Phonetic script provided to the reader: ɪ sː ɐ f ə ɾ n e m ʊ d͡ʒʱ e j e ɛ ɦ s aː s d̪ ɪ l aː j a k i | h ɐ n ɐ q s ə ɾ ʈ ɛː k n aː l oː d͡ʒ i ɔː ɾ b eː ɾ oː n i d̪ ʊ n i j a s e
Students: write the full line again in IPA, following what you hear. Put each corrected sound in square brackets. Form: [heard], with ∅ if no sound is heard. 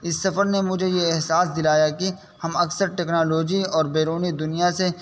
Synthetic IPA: ɪ sː ɐ f ə ɾ n e m ʊ d͡ʒʱ e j e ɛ ɦ s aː s d̪ ɪ l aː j a k i | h ɐ [m] ɐ [k] s ə ɾ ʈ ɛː k n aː l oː d͡ʒ i ɔː ɾ b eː ɾ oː n i d̪ ʊ n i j a s e